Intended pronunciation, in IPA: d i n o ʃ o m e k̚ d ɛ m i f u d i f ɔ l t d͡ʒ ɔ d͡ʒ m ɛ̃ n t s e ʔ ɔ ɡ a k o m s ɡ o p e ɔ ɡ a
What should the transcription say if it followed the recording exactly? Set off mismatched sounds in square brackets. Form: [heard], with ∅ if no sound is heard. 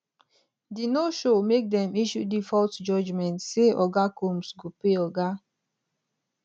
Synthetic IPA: d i n o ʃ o m e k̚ d ɛ m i [ʃ] u d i f ɔ l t d͡ʒ ɔ d͡ʒ m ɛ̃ n t s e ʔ ɔ ɡ a k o m s ɡ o p e ɔ ɡ a